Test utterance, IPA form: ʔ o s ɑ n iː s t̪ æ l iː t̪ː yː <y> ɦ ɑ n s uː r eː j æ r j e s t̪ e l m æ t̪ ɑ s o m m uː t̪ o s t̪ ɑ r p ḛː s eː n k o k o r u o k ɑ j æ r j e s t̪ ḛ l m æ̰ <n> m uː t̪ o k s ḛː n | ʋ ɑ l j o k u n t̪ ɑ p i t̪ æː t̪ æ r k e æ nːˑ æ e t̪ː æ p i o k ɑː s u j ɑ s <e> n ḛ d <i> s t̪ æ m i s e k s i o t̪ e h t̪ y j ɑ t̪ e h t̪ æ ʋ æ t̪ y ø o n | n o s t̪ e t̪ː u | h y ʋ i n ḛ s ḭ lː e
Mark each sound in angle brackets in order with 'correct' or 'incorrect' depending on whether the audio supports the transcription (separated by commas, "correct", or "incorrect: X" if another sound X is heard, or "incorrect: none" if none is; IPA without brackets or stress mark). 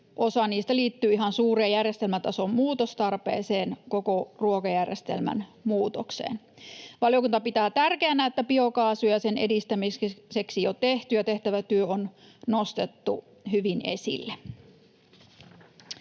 incorrect: i, correct, correct, correct